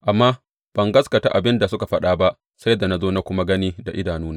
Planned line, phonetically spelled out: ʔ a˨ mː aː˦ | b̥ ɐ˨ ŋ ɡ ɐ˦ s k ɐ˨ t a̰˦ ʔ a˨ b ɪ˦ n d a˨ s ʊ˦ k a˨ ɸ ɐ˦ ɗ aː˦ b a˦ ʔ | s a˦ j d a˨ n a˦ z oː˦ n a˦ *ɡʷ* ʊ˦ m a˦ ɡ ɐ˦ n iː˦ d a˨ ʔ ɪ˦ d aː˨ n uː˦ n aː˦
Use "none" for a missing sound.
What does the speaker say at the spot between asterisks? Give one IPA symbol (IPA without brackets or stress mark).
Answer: kʷ